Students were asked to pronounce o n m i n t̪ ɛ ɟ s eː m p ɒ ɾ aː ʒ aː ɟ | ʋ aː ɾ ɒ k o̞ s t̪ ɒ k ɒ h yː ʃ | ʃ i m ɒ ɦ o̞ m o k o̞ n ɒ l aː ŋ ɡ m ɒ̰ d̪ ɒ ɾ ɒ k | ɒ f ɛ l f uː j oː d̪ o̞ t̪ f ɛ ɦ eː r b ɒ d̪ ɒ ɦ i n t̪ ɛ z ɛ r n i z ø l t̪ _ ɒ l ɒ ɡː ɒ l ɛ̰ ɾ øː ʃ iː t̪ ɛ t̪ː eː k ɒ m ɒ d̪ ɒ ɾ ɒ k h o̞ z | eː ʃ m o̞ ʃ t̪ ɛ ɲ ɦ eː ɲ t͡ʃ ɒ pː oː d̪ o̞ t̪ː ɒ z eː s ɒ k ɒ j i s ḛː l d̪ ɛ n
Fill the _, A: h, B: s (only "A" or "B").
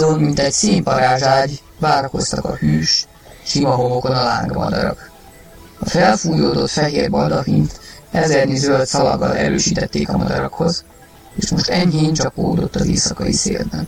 B